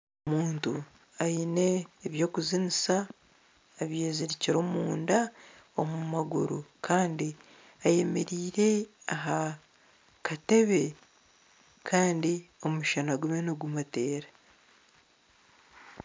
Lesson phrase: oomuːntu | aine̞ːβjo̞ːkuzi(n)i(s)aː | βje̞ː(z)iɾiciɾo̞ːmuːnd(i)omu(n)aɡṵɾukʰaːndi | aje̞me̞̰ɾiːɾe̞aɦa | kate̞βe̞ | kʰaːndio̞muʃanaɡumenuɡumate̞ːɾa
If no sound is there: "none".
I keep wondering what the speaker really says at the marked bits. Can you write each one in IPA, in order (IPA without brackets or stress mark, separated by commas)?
n, s, z, a, m